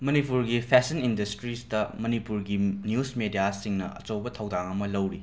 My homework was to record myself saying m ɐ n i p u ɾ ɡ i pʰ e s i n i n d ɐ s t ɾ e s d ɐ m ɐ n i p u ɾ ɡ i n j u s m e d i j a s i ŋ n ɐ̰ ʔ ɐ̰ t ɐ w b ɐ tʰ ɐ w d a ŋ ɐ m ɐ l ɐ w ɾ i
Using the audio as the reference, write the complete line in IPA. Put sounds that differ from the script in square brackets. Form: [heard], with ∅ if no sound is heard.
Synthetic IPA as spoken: m ɐ n i p u ɾ ɡ i pʰ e s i n i n d ɐ s t ɾ [i] s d ɐ m ɐ n i p u ɾ ɡ i n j u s m e d i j a s i ŋ n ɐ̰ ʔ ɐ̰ [t͡ʃ] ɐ w b ɐ tʰ ɐ w d a ŋ ɐ m ɐ l ɐ w ɾ i